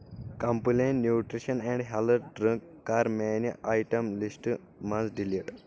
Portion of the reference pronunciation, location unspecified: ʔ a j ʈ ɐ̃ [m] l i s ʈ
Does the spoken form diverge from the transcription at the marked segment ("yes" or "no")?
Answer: no